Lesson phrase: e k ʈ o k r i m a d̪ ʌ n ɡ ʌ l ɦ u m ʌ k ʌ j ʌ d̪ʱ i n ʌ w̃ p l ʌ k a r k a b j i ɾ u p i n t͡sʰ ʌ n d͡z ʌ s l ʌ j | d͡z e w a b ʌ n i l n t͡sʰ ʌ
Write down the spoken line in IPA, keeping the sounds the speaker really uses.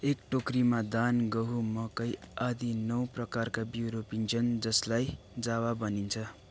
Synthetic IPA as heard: e k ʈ o k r i m a d̪ a n ɡ ʌ ɦ u m ʌ k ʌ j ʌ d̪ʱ i n ʌ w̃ p r ʌ k a r k a b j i ɾ o p i n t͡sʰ ʌ n d͡z ʌ s l a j | d͡z a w a b ʌ n i n t͡sʰ ʌ

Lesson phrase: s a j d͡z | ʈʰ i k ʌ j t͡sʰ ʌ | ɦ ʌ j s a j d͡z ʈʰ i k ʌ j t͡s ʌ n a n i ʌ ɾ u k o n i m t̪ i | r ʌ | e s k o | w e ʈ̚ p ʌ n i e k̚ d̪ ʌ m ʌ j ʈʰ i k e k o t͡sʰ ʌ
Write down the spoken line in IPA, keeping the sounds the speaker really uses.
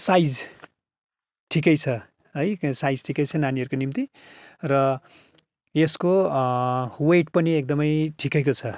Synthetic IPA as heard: s a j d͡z | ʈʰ i k ʌ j t͡sʰ ʌ | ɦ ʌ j s a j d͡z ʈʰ i k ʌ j t͡sʰ ʌ n a n i ʌ ɾ u k o n i m t̪ i | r ʌ | e s k o | w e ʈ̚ p ʌ n i e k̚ d̪ ʌ m ʌ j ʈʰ i k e k o t͡sʰ ʌ

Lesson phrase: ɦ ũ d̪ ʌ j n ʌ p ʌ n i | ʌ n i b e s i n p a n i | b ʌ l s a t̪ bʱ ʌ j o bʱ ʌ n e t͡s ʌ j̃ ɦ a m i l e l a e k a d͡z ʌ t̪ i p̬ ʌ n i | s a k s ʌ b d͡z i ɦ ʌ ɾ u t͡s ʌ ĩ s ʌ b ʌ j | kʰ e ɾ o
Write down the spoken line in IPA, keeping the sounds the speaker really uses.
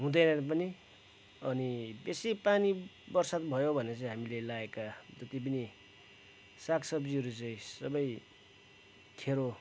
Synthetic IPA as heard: ɦ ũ d̪ ʌ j n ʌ p ʌ n i | ʌ n i b e s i p a n i | b ʌ r s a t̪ bʱ ʌ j o bʱ ʌ n e t͡s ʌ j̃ ɦ a m i l e l a e k a d͡z ʌ t̪ i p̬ ʌ n i | s a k s ʌ b d͡z i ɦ ʌ ɾ u t͡s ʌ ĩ s ʌ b ʌ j | kʰ e ɾ o

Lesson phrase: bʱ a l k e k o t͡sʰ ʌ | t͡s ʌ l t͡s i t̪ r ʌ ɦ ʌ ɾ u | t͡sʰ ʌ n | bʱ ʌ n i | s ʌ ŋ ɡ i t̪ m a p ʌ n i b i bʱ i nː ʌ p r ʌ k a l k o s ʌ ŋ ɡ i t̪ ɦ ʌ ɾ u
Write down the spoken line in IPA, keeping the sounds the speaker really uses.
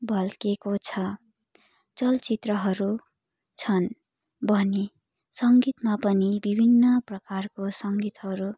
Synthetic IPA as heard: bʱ ʌ l k e k o t͡sʰ ʌ | t͡s ʌ l t͡s i t̪ r ʌ ɦ ʌ ɾ u | t͡sʰ ʌ n | bʱ ʌ n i | s ʌ ŋ ɡ i t̪ m a p ʌ n i b i bʱ i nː ʌ p r ʌ k a r k o s ʌ ŋ ɡ i t̪ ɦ ʌ ɾ u

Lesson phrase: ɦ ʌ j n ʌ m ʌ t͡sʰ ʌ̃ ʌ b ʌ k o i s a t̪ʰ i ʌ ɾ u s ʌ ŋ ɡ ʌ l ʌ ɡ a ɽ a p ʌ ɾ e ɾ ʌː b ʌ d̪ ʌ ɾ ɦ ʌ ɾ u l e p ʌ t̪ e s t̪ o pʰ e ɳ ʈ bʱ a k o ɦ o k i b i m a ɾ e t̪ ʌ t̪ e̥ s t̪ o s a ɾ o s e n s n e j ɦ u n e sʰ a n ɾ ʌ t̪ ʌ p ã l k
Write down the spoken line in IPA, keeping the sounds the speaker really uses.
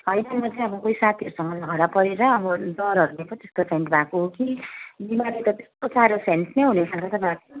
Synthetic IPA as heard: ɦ ʌ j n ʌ m ʌ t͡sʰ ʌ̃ ʌ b ʌ k o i s a t̪ʰ i ʌ ɾ u s ʌ ŋ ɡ ʌ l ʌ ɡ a ɽ a p ʌ ɾ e ɾ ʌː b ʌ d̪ ʌ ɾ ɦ ʌ ɾ u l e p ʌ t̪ e s t̪ o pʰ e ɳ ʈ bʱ a k o ɦ o k i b i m a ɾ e t̪ ʌ t̪ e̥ s t̪ o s a ɾ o s e n s n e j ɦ u n e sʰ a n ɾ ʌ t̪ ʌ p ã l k

